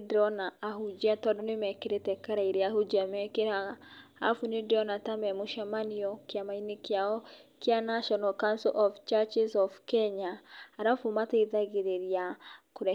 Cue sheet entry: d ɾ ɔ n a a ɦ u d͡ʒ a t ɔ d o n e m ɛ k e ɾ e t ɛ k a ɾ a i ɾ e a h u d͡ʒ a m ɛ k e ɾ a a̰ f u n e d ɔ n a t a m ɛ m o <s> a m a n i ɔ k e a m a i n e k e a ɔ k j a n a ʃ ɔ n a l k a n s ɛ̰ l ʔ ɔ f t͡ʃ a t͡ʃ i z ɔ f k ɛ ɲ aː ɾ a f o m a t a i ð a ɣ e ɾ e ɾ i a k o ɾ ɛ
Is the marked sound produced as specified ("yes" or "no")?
no